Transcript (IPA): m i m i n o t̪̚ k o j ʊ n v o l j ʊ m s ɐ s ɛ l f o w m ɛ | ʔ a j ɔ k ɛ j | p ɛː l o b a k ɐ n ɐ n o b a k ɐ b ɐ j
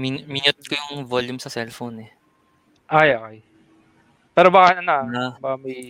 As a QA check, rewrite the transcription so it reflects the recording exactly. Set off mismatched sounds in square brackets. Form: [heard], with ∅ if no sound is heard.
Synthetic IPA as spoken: m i m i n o t̪̚ k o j ʊ [ŋ] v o l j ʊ m s ɐ s ɛ l f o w [n] ɛ | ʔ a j [o] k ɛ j | p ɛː [ɾ] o b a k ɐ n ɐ n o b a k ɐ [m] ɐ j